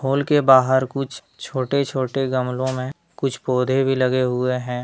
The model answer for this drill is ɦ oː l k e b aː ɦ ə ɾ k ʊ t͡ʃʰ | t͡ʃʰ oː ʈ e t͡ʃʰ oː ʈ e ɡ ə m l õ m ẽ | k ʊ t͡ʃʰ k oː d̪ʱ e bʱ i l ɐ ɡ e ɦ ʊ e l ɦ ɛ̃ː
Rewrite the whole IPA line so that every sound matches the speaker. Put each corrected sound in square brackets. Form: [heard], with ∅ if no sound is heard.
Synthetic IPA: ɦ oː l k e b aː ɦ ə ɾ k ʊ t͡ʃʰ | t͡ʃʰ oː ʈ e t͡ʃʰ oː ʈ e ɡ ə m l õ m ẽ | k ʊ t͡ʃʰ [p] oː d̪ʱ e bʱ i l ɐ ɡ e ɦ ʊ e [∅] ɦ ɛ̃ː